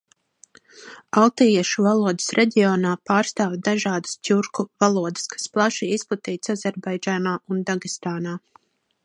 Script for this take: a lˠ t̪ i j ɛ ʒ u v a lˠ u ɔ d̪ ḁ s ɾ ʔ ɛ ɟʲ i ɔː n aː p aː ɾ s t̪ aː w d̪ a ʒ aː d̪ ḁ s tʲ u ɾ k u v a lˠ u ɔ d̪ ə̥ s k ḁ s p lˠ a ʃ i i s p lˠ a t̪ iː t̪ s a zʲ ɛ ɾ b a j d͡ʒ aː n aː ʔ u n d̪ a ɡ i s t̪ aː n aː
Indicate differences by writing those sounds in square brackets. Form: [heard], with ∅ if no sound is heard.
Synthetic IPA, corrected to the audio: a lˠ t̪ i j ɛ [ʃ] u v a lˠ u ɔ d̪ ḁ s ɾ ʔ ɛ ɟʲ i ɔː n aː p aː ɾ s t̪ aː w d̪ a ʒ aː d̪ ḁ s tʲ u ɾ k u v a lˠ u ɔ d̪ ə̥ s k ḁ s p lˠ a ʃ i i s p lˠ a t̪ iː t̪ s a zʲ ɛ ɾ b a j d͡ʒ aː n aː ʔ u n d̪ a ɡ i s t̪ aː n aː

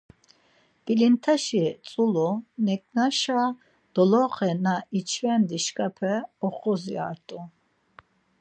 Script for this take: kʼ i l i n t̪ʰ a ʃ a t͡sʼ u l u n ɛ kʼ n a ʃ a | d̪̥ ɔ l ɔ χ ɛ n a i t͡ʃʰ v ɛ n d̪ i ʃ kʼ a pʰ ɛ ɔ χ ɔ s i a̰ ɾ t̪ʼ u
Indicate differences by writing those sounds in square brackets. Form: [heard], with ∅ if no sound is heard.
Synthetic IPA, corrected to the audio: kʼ i l i n t̪ʰ a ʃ [i] t͡sʼ u l u n ɛ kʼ n a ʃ a | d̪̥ ɔ l ɔ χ ɛ n a i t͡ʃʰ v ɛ n d̪ i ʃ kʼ a pʰ ɛ ɔ χ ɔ [z] i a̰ ɾ t̪ʼ u

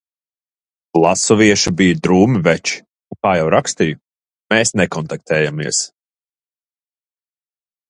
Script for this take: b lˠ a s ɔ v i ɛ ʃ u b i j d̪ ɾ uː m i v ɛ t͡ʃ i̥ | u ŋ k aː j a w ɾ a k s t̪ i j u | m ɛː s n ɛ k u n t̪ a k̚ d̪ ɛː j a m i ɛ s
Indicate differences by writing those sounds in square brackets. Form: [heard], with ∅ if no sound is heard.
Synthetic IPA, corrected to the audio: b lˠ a s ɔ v i ɛ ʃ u b i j d̪ ɾ uː m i v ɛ t͡ʃ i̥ | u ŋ k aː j a w ɾ a k s t̪ i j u | m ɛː s n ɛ k [ɔ] n t̪ a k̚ [t̪] ɛː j a m i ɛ s

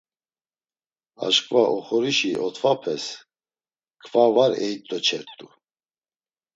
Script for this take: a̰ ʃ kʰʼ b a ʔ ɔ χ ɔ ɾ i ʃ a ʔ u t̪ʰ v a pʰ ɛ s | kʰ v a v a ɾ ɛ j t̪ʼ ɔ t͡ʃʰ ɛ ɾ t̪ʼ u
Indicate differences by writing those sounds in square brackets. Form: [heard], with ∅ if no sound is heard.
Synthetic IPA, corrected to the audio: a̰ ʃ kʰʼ [v] a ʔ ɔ χ ɔ ɾ i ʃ [i] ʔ [ɔ] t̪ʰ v a pʰ ɛ s | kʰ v a v a ɾ ɛ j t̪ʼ ɔ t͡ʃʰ ɛ ɾ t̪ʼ u

